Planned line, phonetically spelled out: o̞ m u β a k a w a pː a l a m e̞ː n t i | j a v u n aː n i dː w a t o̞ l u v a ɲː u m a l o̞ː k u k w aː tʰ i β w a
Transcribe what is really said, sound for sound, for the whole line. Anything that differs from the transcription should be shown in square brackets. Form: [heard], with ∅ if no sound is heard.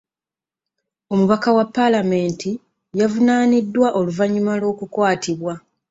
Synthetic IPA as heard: o̞ m u β a k a w a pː a l a m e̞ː n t i | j a v u n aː n i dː w a [ʔ] o̞ l u v a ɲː u m a l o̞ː k u k w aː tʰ i β w a